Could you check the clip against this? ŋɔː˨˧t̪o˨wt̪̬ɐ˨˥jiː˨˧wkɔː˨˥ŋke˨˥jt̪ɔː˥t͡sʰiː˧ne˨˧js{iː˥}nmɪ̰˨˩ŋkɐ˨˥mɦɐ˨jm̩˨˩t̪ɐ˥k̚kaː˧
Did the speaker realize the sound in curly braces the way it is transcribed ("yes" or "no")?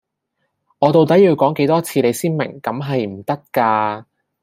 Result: yes